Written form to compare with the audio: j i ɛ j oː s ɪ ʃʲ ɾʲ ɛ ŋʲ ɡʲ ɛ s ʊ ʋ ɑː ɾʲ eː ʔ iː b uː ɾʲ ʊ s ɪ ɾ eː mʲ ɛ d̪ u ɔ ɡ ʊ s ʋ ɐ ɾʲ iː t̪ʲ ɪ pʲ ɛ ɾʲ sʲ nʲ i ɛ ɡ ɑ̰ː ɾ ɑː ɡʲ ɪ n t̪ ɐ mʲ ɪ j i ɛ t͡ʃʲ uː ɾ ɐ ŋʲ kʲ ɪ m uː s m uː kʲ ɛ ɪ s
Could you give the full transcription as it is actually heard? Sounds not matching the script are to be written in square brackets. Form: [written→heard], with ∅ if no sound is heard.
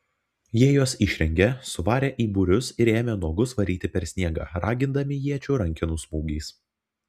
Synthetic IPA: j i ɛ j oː s ɪ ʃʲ ɾʲ ɛ ŋʲ ɡʲ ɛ s ʊ ʋ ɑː ɾʲ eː ʔ iː b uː ɾʲ ʊ s ɪ ɾ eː mʲ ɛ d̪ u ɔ ɡ ʊ s ʋ ɐ ɾʲ iː t̪ʲ ɪ pʲ ɛ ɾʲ sʲ nʲ i ɛ ɡ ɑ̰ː ɾ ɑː ɡʲ ɪ n [t̪→d̪] ɐ mʲ ɪ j i ɛ t͡ʃʲ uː ɾ ɐ ŋʲ kʲ ɪ [m→n] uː s m uː [kʲ→ɡʲ] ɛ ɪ s